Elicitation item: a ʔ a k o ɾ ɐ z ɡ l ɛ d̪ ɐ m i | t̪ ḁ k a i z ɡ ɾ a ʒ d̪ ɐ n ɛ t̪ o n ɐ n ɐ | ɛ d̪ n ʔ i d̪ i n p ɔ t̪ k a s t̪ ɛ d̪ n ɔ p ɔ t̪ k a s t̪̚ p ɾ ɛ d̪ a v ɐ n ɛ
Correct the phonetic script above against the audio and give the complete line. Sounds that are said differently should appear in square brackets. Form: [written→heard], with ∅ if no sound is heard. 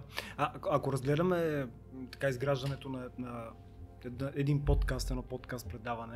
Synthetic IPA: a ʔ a k o ɾ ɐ z ɡ l ɛ d̪ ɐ m [i→ɛ] | t̪ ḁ k a i z ɡ ɾ a ʒ d̪ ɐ n ɛ t̪ o n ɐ n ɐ | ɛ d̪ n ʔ [i→ɛ] d̪ i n p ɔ t̪ k a s t̪ ɛ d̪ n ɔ p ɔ t̪ k a s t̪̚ p ɾ ɛ d̪ a v ɐ n ɛ